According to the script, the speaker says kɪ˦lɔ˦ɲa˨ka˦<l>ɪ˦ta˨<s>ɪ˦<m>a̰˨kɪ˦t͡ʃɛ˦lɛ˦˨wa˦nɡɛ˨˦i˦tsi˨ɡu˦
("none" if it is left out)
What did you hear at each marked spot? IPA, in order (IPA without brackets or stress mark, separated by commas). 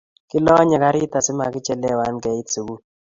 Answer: ɾ, s, m